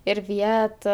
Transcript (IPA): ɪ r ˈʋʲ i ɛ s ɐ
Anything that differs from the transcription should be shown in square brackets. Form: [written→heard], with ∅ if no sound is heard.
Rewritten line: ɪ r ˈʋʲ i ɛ [s→t] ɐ